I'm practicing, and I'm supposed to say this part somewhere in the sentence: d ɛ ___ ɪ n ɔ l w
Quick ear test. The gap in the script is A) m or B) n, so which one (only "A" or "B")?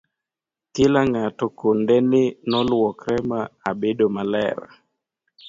B